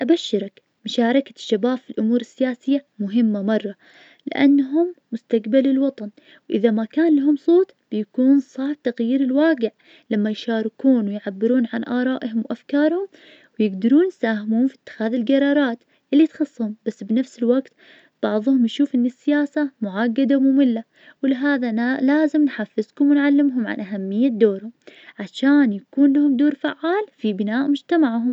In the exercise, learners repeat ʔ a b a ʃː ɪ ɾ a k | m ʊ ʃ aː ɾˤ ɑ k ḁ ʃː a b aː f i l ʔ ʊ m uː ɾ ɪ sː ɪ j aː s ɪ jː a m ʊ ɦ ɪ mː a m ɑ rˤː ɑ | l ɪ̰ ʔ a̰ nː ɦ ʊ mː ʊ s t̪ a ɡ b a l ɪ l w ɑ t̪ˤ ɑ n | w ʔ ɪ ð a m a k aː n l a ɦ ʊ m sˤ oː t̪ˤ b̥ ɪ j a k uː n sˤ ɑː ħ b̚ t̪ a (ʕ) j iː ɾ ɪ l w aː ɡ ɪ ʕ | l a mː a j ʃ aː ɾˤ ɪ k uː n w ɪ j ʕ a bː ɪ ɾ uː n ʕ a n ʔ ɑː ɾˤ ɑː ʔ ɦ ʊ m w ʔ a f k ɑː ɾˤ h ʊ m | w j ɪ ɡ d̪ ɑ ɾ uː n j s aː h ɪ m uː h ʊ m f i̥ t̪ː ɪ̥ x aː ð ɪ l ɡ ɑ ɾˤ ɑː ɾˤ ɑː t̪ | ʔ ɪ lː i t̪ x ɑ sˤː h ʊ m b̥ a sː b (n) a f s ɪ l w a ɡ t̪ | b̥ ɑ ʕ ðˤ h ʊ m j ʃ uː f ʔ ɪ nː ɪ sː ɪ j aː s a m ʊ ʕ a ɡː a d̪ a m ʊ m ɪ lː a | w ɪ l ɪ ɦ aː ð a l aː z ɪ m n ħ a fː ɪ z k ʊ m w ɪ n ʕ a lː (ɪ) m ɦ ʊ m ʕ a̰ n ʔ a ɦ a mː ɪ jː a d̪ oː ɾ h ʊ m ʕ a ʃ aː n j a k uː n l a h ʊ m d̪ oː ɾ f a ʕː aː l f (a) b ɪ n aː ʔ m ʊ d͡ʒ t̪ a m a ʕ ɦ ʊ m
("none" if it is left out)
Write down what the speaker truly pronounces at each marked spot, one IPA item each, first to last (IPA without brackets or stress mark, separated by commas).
ɣ, n, ɪ, i